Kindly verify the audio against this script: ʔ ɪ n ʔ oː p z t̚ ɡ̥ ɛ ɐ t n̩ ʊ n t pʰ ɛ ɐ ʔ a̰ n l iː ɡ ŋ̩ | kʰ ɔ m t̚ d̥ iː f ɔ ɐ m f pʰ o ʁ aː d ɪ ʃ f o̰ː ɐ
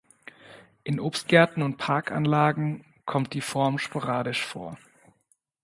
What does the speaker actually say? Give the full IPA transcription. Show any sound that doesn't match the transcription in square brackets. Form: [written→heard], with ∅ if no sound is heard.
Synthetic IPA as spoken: ʔ ɪ n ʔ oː p [z→s] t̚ ɡ̥ ɛ ɐ t n̩ ʊ n t pʰ [ɛ→a] ɐ [ʔ→k] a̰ n l [iː→aː] ɡ ŋ̩ | kʰ ɔ m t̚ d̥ iː f ɔ ɐ m [f→ʃ] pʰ o ʁ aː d ɪ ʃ f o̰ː ɐ

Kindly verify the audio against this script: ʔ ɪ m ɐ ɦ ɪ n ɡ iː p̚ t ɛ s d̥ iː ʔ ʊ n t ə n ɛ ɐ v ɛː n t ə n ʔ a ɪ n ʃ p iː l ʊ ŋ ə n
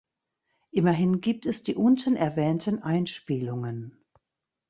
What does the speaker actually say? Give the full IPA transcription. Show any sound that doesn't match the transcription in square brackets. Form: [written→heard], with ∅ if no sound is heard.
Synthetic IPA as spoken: ʔ ɪ m ɐ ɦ ɪ n ɡ iː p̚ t ɛ s d̥ iː ʔ ʊ n t ə n ɛ ɐ v ɛː n t ə n ʔ a ɪ n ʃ p iː l ʊ ŋ ə n

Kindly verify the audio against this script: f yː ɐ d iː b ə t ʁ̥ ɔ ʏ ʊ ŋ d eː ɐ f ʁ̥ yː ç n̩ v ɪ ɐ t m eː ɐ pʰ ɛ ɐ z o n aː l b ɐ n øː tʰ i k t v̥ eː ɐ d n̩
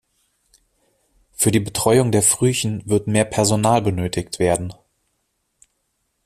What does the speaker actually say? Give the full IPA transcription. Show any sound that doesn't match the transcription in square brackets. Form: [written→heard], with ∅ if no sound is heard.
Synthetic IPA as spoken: f yː ɐ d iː b ə t ʁ̥ ɔ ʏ ʊ ŋ d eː ɐ f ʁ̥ yː ç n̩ v ɪ ɐ t m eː ɐ pʰ ɛ ɐ z o n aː l b [ɐ→ə] n øː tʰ [i→ɪ] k t v̥ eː ɐ d n̩

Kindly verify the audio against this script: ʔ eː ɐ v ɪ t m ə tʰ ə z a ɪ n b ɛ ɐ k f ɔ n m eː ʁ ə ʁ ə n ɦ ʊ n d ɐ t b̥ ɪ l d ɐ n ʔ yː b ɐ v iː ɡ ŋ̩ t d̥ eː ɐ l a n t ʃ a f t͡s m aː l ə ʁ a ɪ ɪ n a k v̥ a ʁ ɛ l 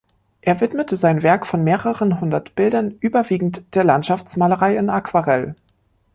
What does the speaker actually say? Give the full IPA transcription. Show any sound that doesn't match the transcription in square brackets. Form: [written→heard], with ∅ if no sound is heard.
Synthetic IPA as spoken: ʔ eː ɐ v ɪ t m ə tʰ ə z a ɪ n [b→v] ɛ ɐ k f ɔ n m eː ʁ ə ʁ ə n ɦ ʊ n d ɐ t b̥ ɪ l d ɐ n ʔ yː b ɐ v iː ɡ ŋ̩ t d̥ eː ɐ l a n t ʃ a f t͡s m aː l ə ʁ a ɪ ɪ n a k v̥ a ʁ ɛ l

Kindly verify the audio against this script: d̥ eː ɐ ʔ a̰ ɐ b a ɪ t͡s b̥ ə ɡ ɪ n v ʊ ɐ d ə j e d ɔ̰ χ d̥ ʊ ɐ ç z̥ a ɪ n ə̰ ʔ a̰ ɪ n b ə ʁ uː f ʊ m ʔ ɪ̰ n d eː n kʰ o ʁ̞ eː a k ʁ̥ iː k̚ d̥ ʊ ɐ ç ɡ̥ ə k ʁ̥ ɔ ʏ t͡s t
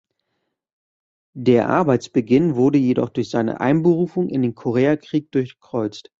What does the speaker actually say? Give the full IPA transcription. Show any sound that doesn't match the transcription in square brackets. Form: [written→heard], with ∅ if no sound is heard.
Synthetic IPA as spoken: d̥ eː ɐ ʔ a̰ ɐ b a ɪ t͡s b̥ ə ɡ ɪ n v ʊ ɐ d ə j e d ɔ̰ χ d̥ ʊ ɐ ç z̥ a ɪ n ə̰ ʔ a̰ ɪ n b ə ʁ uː f ʊ [m→ŋ] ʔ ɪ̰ n d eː n kʰ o ʁ̞ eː a k ʁ̥ iː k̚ d̥ ʊ ɐ ç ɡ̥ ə k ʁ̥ ɔ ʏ t͡s t

